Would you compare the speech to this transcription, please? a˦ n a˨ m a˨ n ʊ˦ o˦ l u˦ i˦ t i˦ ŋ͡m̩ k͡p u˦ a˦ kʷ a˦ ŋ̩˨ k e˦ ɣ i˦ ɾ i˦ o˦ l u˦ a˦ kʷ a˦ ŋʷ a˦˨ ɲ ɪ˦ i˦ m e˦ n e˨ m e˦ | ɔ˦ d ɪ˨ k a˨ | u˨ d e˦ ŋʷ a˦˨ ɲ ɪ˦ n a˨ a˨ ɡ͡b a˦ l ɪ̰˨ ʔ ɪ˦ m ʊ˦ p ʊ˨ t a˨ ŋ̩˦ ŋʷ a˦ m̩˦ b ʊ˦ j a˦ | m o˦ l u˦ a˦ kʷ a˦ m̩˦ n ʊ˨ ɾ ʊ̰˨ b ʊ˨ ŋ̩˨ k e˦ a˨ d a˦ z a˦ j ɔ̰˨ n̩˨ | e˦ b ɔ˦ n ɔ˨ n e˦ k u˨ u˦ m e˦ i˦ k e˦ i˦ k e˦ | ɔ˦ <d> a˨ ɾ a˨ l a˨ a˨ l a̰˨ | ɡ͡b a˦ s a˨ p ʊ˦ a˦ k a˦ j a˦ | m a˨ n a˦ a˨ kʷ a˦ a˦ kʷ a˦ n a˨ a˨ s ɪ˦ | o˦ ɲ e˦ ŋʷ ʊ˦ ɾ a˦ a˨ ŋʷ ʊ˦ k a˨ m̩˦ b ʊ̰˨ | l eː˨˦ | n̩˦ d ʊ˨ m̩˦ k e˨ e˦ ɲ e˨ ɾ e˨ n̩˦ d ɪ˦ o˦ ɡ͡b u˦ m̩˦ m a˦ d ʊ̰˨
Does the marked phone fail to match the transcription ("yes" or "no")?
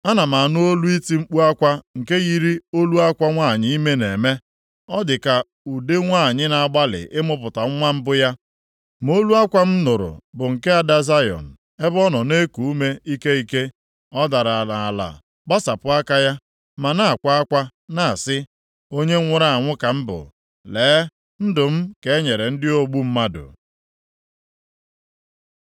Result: no